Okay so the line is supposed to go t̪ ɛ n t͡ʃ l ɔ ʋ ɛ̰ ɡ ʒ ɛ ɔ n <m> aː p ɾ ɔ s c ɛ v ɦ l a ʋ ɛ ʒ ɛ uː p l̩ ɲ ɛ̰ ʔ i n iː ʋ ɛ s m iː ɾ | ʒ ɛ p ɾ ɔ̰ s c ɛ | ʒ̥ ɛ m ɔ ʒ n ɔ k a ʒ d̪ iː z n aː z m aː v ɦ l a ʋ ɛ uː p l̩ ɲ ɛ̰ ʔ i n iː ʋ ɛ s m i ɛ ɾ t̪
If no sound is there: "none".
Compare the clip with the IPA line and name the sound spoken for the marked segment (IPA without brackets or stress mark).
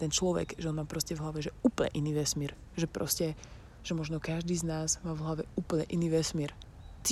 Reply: m